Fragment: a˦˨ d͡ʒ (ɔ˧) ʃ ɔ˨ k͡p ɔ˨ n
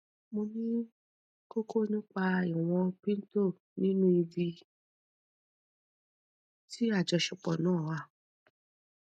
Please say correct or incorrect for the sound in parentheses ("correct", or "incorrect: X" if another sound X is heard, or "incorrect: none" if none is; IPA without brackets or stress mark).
correct